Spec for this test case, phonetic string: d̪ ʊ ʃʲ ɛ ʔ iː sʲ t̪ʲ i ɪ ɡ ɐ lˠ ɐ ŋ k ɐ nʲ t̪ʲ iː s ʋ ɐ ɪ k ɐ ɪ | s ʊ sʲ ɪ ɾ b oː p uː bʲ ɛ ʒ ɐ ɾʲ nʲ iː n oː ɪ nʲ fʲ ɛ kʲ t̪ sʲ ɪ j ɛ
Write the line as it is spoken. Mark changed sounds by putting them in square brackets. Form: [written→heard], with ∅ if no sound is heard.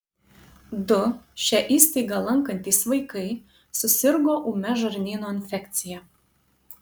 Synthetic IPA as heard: d̪ ʊ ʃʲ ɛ ʔ iː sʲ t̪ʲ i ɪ ɡ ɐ lˠ ɐ ŋ k ɐ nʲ t̪ʲ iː s ʋ ɐ ɪ k ɐ ɪ | s ʊ sʲ ɪ ɾ [b→ɡ] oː [p→ʔ] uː [bʲ→mʲ] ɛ ʒ ɐ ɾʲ nʲ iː n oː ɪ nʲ fʲ ɛ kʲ t̪ sʲ ɪ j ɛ